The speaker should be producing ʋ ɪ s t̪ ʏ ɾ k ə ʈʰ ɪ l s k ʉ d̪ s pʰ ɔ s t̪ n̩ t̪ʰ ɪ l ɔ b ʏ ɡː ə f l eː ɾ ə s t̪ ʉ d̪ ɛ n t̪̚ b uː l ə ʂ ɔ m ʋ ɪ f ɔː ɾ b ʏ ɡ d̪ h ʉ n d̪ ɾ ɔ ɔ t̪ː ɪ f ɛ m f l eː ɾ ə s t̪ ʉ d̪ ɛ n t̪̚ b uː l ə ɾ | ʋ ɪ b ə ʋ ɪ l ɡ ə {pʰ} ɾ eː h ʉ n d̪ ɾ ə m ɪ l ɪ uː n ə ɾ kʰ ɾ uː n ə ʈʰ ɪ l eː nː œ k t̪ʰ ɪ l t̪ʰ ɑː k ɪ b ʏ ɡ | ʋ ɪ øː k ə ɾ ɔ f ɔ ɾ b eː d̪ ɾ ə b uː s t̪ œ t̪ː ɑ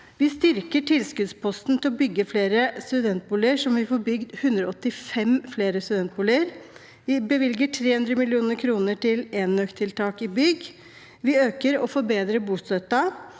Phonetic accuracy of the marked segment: incorrect: ʈʰ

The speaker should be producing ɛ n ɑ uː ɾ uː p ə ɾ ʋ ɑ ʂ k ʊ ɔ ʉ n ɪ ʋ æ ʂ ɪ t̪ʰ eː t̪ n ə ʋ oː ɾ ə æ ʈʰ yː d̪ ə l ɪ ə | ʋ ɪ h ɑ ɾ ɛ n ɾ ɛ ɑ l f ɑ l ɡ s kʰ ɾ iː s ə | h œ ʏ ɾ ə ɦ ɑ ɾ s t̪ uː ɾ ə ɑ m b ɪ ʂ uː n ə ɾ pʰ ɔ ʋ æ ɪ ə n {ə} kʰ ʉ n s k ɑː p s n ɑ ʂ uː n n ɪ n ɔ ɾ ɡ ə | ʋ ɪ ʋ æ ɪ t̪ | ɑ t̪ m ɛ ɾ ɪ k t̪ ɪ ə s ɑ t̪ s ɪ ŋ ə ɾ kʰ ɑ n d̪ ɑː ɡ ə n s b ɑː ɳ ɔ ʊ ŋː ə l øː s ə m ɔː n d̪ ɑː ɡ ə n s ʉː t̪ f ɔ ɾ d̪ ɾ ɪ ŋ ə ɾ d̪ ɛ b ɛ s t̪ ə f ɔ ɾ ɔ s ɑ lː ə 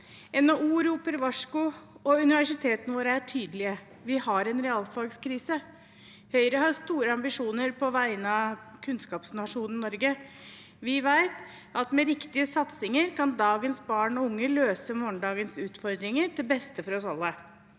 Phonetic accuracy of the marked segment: incorrect: ɑ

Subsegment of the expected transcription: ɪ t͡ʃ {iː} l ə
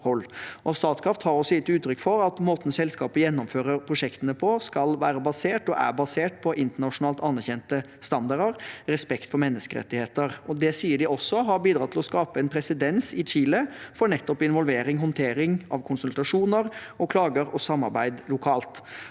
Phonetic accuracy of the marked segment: correct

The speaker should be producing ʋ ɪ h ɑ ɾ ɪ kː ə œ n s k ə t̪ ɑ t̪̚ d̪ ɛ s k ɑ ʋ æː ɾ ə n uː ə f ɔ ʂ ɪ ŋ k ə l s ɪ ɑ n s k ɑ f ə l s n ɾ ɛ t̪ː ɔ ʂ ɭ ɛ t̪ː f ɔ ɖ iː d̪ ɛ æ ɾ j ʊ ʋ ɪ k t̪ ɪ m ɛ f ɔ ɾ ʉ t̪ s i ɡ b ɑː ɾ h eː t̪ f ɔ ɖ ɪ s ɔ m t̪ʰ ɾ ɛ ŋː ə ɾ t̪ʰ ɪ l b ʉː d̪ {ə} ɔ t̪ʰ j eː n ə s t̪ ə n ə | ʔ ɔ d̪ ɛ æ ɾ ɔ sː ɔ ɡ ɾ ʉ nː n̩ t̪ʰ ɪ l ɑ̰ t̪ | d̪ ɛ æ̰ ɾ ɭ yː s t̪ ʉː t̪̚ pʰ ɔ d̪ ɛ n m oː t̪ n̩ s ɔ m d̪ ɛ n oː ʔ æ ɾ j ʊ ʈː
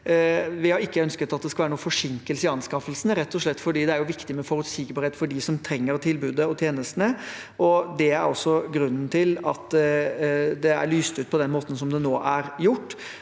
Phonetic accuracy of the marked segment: correct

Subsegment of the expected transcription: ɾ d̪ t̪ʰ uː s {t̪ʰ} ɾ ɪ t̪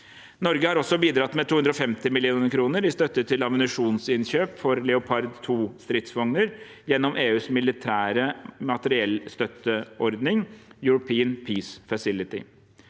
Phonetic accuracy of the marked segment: incorrect: t̪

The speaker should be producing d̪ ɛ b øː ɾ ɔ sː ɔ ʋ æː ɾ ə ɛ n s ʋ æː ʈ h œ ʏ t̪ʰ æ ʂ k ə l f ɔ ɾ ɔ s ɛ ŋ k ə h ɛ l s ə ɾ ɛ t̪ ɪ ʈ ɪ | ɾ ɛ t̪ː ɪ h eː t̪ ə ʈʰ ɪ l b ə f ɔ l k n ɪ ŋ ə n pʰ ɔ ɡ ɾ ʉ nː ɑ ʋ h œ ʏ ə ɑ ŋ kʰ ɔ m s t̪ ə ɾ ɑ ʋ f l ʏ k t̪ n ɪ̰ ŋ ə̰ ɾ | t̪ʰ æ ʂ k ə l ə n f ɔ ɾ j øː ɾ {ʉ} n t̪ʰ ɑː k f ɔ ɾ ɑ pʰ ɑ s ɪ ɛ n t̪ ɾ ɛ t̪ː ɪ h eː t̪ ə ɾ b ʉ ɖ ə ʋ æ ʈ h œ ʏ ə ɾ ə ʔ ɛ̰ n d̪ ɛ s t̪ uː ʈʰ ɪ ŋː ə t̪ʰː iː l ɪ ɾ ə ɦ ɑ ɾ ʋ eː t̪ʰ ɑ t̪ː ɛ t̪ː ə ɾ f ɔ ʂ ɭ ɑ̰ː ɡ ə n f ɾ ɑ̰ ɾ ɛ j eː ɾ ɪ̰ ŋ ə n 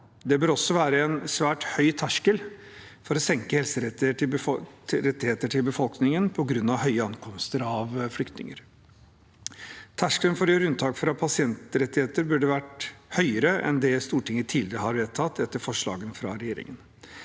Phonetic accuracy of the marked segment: correct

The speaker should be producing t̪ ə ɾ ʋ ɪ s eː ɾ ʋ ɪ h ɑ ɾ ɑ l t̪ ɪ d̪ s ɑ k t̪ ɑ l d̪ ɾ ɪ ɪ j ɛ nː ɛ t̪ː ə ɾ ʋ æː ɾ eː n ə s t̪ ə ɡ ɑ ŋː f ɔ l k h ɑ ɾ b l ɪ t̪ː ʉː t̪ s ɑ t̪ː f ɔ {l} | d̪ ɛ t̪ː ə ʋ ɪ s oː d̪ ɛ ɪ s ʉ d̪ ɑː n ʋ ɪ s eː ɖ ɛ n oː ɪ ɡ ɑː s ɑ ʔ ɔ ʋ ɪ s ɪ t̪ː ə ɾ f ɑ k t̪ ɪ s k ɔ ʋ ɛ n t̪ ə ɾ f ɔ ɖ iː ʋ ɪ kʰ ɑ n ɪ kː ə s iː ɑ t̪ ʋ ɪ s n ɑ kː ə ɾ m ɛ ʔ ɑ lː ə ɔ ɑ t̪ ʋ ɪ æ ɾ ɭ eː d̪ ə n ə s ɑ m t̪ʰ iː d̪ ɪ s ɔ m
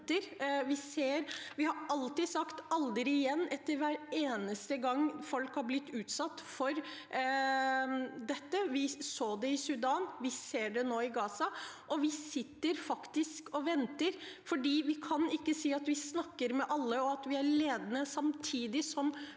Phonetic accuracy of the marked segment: incorrect: ɾ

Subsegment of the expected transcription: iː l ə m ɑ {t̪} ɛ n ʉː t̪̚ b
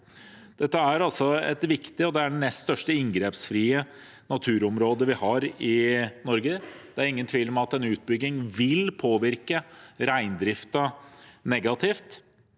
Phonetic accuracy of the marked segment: correct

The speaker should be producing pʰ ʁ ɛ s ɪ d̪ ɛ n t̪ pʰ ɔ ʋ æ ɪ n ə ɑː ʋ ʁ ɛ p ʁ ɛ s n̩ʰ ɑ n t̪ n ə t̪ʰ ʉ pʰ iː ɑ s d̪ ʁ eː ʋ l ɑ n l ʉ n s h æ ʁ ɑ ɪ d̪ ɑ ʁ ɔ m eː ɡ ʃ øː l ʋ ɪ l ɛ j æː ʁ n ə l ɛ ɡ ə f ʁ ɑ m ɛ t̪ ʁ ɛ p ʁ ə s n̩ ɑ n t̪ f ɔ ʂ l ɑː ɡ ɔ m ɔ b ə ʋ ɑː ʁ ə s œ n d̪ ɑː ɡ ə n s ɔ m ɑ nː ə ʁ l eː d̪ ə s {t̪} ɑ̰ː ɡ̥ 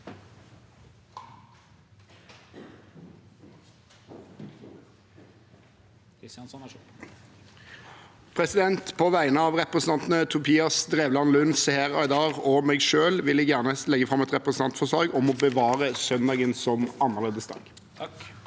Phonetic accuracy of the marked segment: incorrect: d̪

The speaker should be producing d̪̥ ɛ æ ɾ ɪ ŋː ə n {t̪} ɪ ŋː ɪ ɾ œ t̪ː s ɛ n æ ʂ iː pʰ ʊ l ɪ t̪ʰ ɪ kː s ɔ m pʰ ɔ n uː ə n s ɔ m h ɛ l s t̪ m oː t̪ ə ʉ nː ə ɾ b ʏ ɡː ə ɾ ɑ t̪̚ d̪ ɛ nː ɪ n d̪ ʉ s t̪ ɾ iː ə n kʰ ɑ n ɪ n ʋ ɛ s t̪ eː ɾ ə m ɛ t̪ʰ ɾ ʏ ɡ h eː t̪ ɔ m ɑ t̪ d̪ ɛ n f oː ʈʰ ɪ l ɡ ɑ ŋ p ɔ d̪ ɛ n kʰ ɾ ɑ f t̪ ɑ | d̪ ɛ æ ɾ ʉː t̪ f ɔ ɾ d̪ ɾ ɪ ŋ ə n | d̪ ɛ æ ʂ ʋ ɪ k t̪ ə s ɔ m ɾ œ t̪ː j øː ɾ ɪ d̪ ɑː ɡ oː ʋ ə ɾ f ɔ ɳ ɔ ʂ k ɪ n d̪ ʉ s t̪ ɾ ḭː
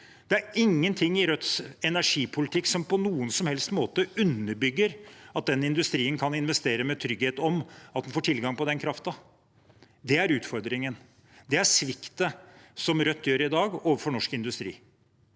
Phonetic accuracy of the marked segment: incorrect: t̪ʰ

